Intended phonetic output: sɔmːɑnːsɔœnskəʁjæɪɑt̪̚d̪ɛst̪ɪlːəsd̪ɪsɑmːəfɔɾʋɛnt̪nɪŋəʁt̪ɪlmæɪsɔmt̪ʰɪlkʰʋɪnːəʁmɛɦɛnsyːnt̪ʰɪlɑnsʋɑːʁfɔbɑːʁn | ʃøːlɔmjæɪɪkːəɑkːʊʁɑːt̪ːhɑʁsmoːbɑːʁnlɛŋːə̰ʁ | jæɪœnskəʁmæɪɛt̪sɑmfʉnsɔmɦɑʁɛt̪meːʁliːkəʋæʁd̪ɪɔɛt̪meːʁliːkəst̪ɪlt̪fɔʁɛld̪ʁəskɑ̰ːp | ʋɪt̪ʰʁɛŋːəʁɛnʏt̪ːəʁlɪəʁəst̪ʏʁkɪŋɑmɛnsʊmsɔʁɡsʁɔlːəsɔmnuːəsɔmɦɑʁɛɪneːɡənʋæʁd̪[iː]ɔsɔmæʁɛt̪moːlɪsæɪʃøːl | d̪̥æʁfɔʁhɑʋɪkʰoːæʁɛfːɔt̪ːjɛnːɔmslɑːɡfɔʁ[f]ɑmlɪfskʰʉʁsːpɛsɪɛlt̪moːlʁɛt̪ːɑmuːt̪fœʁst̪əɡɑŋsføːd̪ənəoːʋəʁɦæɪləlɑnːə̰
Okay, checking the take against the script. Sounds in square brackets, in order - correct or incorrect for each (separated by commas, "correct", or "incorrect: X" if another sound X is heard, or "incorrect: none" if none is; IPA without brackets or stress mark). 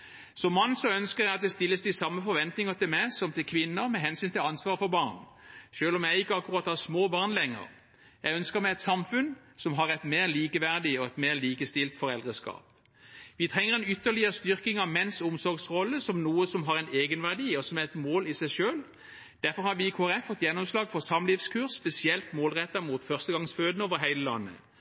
correct, incorrect: s